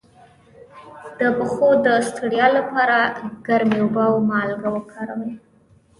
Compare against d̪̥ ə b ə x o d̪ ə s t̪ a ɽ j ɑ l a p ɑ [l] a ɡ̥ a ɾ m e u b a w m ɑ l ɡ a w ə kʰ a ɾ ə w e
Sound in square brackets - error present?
yes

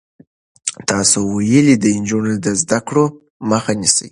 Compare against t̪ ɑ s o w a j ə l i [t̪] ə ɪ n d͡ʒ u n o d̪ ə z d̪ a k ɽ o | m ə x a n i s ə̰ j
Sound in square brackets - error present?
yes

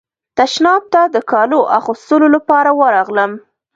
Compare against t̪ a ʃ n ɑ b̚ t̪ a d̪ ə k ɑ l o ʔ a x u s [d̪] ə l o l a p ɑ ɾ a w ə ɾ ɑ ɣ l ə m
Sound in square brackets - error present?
yes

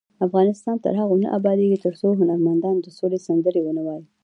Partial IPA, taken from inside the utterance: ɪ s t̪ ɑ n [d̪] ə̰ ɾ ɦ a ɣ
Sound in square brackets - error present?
yes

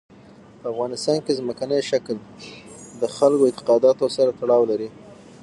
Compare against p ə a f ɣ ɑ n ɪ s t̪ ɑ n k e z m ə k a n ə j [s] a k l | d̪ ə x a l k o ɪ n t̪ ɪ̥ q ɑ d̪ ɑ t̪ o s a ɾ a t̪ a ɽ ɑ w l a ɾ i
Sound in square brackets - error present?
yes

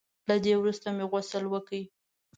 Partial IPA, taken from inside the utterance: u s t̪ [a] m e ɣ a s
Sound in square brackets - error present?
no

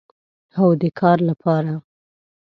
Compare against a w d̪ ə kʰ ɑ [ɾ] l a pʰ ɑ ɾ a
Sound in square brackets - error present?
no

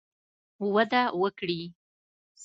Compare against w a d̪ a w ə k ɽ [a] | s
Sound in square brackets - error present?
yes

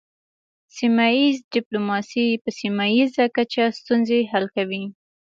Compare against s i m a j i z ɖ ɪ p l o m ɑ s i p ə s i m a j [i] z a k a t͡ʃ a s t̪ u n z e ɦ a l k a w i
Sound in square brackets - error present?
no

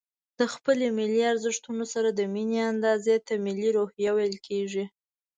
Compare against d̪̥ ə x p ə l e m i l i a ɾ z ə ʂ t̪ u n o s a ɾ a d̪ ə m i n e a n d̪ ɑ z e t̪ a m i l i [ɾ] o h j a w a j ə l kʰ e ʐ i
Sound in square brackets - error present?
no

